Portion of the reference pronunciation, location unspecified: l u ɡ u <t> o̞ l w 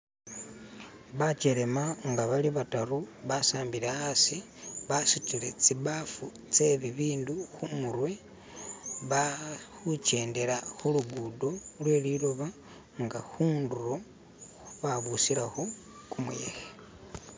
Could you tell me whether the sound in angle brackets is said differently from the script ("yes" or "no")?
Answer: yes